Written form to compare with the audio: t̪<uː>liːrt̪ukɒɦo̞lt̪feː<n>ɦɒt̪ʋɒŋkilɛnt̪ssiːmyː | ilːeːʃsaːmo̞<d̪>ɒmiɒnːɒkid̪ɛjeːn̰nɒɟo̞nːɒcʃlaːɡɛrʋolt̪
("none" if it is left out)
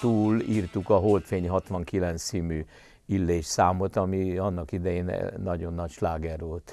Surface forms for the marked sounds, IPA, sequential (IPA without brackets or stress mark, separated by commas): uː, ɲ, t̪